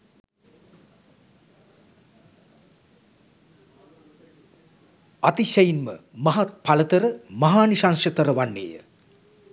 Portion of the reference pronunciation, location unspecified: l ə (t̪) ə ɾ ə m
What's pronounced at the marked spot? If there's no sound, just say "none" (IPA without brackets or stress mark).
t̪